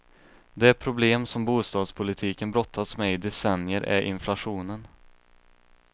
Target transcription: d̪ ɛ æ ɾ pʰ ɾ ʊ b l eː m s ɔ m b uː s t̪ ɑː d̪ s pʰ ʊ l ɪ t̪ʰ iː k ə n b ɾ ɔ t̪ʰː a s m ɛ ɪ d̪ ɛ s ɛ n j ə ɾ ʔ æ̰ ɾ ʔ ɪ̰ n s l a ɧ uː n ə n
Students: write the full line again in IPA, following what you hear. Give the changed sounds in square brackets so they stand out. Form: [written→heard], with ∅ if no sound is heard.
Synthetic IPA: d̪ ɛ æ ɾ pʰ ɾ ʊ b l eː m s ɔ m b uː s t̪ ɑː d̪ s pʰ ʊ l ɪ t̪ʰ iː k ə n b ɾ ɔ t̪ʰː a s m ɛ ɪ d̪ ɛ s ɛ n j ə ɾ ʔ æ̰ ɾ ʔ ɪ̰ n [s→f] l a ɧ uː n ə n